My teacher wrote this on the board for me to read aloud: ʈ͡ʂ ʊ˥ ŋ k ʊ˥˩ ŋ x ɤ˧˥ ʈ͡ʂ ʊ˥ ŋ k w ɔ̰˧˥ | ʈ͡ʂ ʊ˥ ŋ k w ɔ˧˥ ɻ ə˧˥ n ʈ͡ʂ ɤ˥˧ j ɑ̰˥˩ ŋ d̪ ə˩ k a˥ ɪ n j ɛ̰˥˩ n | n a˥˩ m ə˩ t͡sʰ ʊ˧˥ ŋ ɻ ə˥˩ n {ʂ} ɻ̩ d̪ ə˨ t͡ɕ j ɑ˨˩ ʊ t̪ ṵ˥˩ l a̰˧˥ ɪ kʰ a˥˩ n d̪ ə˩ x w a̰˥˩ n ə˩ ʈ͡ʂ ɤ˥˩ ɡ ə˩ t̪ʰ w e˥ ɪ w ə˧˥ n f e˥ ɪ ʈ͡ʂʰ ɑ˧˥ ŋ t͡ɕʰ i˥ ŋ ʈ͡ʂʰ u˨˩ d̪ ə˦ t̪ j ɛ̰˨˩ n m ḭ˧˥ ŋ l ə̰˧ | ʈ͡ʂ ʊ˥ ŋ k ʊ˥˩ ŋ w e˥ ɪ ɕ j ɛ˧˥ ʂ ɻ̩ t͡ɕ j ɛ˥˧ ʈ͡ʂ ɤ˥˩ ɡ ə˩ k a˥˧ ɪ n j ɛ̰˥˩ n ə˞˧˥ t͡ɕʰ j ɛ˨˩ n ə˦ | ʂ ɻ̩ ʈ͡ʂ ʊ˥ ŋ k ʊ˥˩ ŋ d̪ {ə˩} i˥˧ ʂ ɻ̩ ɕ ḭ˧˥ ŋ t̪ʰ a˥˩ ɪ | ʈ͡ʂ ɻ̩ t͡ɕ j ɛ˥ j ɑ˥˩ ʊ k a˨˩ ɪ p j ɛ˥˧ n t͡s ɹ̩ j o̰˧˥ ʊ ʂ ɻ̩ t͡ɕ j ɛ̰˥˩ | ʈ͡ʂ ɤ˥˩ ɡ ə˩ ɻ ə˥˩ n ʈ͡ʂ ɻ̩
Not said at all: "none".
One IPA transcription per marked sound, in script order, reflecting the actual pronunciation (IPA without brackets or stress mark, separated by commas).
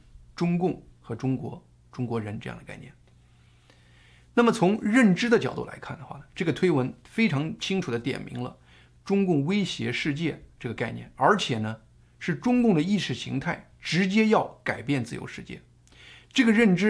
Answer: ʈ͡ʂ, ə˩